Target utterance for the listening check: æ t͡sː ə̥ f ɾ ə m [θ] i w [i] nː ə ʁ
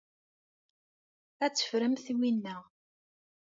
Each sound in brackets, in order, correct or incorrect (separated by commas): correct, correct